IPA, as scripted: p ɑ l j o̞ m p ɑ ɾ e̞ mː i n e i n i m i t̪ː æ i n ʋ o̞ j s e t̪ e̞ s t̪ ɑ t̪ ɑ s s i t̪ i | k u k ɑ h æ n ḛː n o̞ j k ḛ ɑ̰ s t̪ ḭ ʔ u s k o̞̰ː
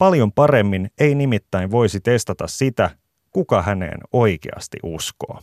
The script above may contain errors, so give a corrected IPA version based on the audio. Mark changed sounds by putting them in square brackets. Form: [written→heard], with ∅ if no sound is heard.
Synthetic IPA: p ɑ l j o̞ m p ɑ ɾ e̞ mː i n e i n i m i t̪ː æ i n ʋ o̞ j s [e→i] t̪ e̞ s t̪ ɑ t̪ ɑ s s i t̪ [i→æ] | k u k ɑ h æ n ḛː n o̞ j k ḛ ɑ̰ s t̪ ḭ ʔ u s k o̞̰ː